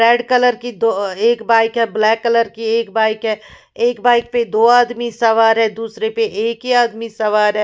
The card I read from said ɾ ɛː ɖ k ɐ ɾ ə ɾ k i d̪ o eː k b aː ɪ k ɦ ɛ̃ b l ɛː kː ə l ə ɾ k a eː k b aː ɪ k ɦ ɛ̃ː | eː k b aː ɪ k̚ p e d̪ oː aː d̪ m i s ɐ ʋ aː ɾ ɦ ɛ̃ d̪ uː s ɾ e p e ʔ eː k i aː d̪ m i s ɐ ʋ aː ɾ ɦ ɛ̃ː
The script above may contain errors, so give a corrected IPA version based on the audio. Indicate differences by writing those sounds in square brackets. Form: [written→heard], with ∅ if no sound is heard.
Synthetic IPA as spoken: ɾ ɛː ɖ k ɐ [ɾ→l] ə ɾ k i d̪ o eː k b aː ɪ k ɦ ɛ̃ b l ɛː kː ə l ə ɾ k [a→i] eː k b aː ɪ k ɦ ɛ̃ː | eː k b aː ɪ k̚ p e d̪ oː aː d̪ m i s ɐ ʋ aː ɾ ɦ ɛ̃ d̪ uː s ɾ e p e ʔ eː k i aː d̪ m i s ɐ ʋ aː ɾ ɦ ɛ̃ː